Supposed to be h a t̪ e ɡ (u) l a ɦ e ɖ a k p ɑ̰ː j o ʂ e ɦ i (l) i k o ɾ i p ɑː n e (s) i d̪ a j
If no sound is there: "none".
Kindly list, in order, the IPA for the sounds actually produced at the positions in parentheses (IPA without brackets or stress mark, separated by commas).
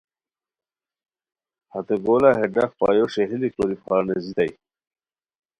o, l, z